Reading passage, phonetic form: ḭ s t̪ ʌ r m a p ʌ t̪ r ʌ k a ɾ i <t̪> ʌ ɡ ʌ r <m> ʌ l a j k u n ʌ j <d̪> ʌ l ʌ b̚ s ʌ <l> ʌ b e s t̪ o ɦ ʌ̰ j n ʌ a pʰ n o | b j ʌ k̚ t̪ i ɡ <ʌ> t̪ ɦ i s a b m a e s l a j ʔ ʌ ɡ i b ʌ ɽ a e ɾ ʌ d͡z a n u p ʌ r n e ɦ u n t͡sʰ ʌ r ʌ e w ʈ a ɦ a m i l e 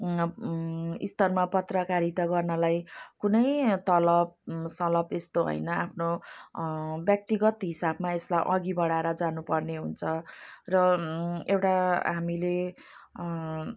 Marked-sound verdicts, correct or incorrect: correct, incorrect: n, incorrect: t̪, correct, correct

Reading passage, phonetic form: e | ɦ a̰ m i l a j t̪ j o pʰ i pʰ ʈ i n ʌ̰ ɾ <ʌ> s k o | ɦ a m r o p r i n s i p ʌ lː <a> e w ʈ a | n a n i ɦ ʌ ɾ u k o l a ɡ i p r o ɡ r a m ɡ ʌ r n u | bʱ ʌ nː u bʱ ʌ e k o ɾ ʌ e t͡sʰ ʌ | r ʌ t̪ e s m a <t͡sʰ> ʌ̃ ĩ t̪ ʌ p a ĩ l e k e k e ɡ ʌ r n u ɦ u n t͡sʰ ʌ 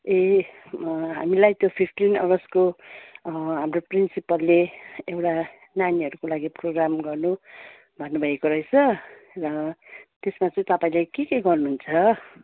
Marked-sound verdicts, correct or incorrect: correct, incorrect: e, incorrect: t͡s

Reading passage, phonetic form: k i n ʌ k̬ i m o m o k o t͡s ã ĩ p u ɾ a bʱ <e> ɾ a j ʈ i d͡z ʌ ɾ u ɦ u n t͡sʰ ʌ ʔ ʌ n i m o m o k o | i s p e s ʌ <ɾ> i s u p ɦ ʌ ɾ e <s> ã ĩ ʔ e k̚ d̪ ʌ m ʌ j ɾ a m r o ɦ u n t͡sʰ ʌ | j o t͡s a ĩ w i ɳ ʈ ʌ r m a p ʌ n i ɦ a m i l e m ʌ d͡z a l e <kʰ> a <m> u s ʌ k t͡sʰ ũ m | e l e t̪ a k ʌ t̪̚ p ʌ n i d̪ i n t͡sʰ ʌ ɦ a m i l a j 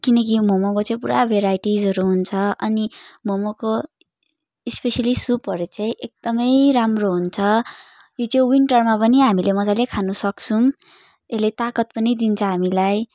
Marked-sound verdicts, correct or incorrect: correct, incorrect: l, incorrect: t͡s, correct, incorrect: n

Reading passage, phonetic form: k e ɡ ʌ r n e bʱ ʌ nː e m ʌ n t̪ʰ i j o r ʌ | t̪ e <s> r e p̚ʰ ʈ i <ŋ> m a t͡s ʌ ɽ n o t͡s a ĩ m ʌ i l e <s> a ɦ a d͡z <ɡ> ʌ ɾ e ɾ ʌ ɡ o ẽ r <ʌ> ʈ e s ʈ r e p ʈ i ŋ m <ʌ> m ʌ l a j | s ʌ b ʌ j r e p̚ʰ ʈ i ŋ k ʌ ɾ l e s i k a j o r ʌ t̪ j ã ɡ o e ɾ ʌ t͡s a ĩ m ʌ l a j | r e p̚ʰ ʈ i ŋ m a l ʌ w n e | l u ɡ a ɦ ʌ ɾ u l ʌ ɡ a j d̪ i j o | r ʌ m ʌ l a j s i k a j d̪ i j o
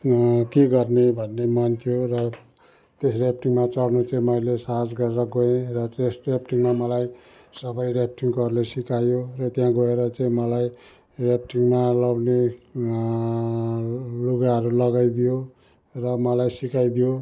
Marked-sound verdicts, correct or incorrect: correct, correct, correct, correct, correct, incorrect: a

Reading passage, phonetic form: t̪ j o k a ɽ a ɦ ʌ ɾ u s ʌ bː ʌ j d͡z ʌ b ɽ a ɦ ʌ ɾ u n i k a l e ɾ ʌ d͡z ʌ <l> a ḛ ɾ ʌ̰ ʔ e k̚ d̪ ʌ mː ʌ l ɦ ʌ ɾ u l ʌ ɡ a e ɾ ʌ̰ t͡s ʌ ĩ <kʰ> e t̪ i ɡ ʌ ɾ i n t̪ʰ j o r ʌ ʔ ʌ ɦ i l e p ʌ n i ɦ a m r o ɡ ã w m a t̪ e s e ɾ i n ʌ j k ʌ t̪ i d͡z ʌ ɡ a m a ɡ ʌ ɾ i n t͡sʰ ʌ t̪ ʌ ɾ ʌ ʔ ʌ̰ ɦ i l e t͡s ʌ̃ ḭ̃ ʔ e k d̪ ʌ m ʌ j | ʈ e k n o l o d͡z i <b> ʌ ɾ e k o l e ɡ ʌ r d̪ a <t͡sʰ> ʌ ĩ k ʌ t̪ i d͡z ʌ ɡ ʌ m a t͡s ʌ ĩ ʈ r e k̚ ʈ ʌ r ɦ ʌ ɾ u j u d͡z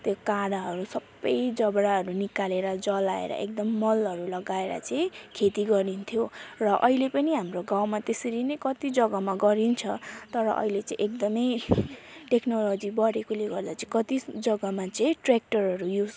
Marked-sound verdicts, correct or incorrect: correct, correct, correct, incorrect: t͡s

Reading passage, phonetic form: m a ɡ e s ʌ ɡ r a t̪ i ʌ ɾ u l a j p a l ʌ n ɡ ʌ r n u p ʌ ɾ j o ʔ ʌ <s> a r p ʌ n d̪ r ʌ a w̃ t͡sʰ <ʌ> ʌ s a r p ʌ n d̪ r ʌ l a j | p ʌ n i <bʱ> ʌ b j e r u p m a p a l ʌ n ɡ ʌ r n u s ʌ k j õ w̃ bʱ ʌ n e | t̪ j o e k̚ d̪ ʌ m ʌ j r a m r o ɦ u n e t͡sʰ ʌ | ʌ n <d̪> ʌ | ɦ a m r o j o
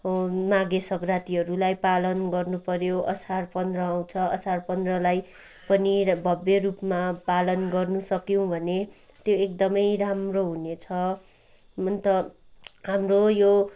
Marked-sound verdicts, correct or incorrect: correct, correct, correct, incorrect: t̪

